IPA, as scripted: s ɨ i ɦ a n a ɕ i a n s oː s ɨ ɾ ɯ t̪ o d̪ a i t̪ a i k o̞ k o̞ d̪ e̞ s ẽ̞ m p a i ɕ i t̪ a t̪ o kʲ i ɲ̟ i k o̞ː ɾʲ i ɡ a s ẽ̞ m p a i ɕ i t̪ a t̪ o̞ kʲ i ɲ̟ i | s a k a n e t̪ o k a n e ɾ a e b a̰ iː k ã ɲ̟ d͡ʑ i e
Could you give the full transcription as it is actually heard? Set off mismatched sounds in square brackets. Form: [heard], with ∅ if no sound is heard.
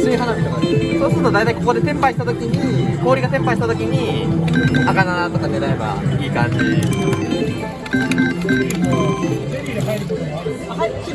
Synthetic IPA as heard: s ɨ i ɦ a n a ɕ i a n s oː s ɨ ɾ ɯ t̪ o d̪ a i t̪ a i k o̞ k o̞ d̪ e̞ s ẽ̞ m p a i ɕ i t̪ a t̪ o kʲ i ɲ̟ i k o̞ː ɾʲ i ɡ a s ẽ̞ m p a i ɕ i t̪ a t̪ o̞ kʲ i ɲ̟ i | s a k a n [a] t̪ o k a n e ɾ a e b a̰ iː k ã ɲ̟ d͡ʑ i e